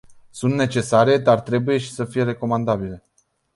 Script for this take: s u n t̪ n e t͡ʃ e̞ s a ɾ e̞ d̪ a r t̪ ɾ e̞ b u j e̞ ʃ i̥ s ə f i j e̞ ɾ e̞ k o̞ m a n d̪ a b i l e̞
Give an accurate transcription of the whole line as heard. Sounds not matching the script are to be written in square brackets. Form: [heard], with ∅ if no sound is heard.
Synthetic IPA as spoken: s u n t̪ n e t͡ʃ e̞ s a ɾ e̞ d̪ a r t̪ ɾ e̞ b u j e̞ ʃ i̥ s ə f i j e̞ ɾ e̞ k o̞ m a n d̪ a b i l e̞